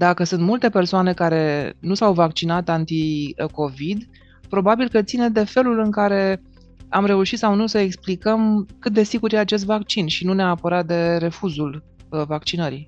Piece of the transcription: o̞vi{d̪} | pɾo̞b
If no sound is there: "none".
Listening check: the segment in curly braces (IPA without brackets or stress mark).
d̪